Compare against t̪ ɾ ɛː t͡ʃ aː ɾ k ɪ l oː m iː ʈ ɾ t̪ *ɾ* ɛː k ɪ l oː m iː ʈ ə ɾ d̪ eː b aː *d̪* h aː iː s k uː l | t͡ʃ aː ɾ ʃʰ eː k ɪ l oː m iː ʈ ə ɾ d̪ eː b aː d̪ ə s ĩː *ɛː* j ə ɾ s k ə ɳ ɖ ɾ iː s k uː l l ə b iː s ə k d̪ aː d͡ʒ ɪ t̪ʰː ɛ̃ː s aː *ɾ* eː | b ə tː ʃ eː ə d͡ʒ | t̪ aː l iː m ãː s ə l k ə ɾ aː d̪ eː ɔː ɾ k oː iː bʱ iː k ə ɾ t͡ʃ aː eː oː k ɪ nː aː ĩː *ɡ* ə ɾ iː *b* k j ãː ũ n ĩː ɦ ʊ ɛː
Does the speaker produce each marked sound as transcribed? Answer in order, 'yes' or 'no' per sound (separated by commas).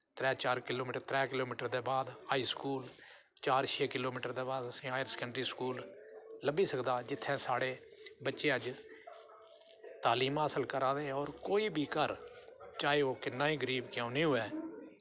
yes, yes, no, no, yes, yes